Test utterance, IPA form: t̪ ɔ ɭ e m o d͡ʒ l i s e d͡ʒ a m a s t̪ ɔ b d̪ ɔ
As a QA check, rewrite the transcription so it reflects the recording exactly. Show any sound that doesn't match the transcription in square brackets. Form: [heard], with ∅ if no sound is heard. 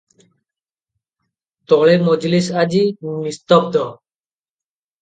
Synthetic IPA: t̪ ɔ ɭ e m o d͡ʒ l i s [a] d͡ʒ [i] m [i] s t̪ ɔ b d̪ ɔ